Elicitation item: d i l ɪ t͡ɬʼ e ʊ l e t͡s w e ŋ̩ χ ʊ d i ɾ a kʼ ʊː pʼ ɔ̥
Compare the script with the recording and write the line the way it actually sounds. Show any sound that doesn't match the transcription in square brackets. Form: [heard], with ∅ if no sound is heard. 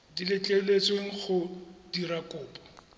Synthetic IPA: d i l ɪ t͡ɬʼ e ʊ l e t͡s w e ŋ̩ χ ʊ d i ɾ a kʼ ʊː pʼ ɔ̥

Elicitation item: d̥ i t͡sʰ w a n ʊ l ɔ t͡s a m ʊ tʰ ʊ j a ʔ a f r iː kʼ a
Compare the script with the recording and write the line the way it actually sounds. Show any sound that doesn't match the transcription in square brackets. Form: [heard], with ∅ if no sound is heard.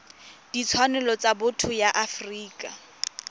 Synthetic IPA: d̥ i t͡sʰ w a n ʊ l ɔ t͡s a [b] ʊ tʰ ʊ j a ʔ a f r iː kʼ a

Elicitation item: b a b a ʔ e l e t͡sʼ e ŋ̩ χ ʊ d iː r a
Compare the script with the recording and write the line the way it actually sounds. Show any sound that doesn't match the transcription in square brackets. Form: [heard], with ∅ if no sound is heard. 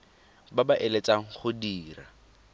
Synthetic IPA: b a b a ʔ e l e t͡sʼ [a] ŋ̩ χ ʊ d iː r a

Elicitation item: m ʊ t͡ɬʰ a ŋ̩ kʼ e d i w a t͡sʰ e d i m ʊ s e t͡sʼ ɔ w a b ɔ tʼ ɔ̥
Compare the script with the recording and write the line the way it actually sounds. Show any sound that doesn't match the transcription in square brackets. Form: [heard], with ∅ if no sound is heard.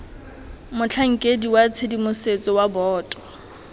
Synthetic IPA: m ʊ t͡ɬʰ a ŋ̩ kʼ e d i w a t͡sʰ e d i m ʊ s e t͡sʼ ɔ w a b [ɔː] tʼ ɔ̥

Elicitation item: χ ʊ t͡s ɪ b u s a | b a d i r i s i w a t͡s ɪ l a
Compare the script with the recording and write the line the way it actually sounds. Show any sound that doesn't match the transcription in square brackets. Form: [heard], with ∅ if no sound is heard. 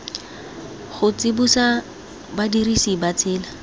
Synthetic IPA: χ ʊ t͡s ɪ b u s a | b a d i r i s i [b] a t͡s [ɪː] l a

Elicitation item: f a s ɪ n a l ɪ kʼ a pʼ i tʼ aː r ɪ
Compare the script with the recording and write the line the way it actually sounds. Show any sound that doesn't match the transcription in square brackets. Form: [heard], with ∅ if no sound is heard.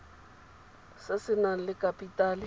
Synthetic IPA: [s] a s ɪ n a l ɪ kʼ a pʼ i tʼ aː [l] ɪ

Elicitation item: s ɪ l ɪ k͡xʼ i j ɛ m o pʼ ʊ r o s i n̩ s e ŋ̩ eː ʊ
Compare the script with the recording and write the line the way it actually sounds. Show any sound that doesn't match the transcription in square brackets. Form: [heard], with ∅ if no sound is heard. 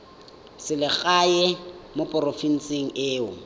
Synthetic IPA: s ɪ l ɪ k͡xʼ [a] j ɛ m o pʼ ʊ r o [f] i n̩ s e ŋ̩ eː ʊ

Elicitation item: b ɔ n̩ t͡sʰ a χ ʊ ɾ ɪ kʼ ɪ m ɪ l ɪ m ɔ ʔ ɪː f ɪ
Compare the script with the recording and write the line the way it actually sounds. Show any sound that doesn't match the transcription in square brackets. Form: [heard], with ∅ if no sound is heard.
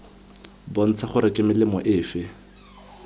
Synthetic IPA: b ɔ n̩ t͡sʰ a χ ʊ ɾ ɪ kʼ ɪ m ɪ l ɪ m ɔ ʔ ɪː f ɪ

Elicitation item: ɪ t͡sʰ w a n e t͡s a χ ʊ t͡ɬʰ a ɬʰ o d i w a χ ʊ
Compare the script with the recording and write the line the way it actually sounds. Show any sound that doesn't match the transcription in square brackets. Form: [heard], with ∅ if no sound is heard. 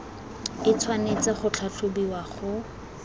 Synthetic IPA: ɪ t͡sʰ w a n e t͡s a χ ʊ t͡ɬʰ a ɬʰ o [b] i w a χ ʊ

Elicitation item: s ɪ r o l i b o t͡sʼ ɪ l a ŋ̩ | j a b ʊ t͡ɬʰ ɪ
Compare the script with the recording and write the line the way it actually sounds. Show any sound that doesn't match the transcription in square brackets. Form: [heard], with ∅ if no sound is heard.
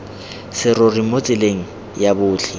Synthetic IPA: s ɪ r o [r] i [m] o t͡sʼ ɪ l [e] ŋ̩ | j a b [ʊː] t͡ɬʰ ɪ

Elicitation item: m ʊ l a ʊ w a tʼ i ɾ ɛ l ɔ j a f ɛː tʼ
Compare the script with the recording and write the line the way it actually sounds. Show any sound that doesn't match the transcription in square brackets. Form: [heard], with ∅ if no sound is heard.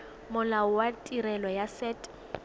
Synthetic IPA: m ʊ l a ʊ w a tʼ i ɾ ɛ l ɔ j a [s] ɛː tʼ

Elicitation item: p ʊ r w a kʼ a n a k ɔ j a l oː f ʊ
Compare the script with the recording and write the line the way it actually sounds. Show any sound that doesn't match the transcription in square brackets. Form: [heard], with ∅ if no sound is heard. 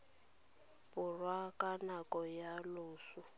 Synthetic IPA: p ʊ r w a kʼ a n a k ɔ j a l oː [s] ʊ

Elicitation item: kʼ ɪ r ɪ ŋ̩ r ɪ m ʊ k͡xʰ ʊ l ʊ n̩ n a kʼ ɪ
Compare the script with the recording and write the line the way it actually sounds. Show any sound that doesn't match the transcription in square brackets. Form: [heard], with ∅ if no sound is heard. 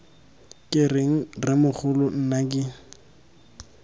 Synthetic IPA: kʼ ɪ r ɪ ŋ̩ r ɪ m ʊ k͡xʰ ʊ l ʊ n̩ n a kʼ ɪ

